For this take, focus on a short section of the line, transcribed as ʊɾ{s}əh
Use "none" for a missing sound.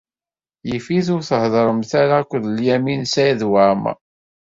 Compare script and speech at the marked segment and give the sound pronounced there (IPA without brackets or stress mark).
θ